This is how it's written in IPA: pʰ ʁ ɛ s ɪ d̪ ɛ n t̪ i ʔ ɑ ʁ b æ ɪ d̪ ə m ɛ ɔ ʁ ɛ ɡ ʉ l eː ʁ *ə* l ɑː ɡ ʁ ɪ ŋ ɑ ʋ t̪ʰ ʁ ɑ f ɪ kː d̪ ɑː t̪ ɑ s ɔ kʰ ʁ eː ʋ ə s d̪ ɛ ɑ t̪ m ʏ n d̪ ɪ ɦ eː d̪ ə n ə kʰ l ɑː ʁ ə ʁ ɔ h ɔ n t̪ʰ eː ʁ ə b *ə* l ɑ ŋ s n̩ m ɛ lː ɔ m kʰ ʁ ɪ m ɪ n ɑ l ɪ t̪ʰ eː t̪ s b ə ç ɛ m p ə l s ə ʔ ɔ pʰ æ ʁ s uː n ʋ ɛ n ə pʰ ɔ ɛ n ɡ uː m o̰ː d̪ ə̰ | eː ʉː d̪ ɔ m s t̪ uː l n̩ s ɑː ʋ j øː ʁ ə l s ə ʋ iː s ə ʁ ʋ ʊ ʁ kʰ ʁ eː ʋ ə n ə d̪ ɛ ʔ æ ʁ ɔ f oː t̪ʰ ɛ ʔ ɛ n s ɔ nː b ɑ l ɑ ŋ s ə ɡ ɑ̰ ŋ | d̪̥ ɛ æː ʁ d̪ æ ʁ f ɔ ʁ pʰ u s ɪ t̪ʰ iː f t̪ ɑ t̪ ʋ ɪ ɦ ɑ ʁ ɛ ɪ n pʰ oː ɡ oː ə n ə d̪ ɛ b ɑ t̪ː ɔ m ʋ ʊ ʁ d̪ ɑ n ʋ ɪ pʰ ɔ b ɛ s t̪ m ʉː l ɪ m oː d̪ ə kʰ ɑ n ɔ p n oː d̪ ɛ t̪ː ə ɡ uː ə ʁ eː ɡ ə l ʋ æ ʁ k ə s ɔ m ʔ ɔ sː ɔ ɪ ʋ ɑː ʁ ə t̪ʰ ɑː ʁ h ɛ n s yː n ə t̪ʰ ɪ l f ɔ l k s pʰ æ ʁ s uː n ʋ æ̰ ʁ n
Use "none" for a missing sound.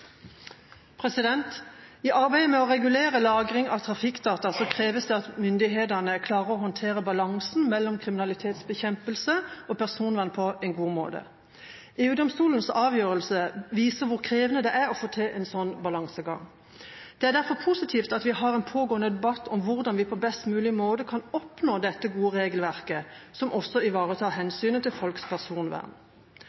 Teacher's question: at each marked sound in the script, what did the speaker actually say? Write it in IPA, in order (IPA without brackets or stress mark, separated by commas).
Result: ə, ɑ